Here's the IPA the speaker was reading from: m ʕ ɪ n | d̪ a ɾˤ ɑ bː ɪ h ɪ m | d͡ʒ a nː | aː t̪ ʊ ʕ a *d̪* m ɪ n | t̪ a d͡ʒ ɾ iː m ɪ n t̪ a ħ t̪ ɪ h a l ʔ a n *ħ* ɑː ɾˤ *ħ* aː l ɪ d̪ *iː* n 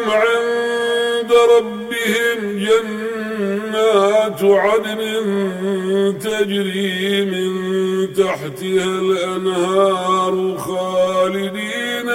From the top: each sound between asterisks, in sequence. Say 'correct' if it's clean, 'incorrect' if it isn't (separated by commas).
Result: correct, incorrect, incorrect, correct